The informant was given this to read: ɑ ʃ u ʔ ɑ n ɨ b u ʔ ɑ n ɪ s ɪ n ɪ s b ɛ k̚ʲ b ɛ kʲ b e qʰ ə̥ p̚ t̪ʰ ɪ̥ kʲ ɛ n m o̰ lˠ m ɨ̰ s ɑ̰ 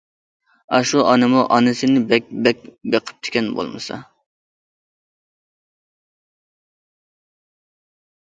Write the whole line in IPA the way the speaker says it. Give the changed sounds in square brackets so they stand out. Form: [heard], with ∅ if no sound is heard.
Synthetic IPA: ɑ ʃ u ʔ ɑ n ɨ [m] u ʔ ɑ n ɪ s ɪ n ɪ [∅] b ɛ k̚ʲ b ɛ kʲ b e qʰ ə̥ p̚ t̪ʰ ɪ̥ kʲ ɛ n [b] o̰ lˠ m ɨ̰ s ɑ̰